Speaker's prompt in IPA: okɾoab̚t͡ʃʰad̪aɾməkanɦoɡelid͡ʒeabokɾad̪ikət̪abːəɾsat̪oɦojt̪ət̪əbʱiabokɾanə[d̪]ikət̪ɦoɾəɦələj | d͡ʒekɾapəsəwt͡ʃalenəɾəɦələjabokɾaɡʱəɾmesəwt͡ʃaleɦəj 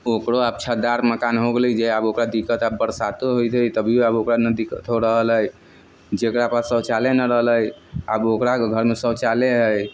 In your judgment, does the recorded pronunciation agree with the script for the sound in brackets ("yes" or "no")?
yes